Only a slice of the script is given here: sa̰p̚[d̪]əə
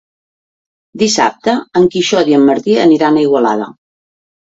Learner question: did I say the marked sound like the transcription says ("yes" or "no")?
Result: no